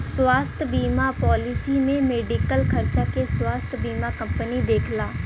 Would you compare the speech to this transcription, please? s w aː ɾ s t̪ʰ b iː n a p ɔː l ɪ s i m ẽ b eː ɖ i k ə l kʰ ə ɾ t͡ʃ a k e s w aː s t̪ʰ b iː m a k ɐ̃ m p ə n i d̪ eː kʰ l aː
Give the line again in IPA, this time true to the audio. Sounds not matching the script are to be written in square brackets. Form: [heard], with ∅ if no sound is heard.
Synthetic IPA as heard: s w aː [∅] s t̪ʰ b iː [m] a p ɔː l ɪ s i m ẽ [m] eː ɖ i k ə l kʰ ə ɾ t͡ʃ a k e s w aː s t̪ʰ b iː m a k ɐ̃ m p ə n i d̪ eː kʰ l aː